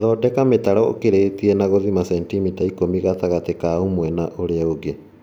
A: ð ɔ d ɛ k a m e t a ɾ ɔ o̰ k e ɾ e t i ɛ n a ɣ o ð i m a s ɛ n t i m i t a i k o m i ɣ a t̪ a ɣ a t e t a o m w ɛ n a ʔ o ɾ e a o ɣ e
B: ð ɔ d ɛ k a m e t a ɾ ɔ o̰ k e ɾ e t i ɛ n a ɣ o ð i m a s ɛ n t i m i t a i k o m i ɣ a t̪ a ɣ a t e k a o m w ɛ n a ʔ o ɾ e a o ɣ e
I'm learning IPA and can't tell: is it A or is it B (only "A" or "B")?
B